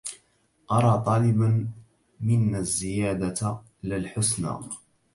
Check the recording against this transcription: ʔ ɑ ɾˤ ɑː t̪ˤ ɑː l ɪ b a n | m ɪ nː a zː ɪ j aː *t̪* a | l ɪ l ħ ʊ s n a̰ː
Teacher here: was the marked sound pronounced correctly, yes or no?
no